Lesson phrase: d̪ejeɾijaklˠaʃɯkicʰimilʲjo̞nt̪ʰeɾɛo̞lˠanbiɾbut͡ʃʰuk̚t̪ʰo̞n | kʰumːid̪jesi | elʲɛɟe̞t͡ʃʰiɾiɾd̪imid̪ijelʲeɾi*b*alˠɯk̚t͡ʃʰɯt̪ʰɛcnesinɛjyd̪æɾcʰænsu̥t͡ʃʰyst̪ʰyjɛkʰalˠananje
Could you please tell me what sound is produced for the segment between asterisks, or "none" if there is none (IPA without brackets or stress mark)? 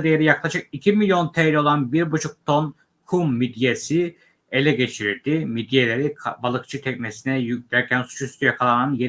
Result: b